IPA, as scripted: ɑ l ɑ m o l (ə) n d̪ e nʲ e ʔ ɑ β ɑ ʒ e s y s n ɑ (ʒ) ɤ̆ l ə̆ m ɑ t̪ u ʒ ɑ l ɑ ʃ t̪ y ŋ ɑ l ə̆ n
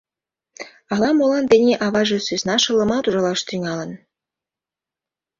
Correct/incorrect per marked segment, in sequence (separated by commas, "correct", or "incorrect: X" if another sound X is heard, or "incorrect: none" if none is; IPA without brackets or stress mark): incorrect: ɑ, incorrect: ʃ